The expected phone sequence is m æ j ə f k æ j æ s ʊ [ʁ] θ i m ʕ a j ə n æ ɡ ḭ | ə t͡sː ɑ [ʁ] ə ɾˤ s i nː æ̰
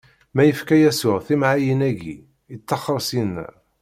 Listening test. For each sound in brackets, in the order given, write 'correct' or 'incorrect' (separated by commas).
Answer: correct, incorrect